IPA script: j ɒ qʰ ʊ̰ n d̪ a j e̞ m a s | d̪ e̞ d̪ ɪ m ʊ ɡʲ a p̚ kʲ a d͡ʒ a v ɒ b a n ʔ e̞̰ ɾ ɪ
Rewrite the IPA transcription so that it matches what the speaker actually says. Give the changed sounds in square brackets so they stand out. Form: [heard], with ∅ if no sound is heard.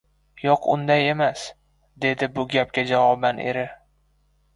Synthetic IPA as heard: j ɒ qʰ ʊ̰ n d̪ a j e̞ m a s | d̪ e̞ d̪ ɪ [b] ʊ ɡʲ a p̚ kʲ a d͡ʒ a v ɒ b a n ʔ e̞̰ ɾ ɪ